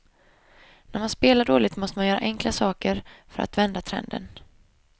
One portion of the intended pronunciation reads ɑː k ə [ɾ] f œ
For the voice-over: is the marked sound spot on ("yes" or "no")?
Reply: yes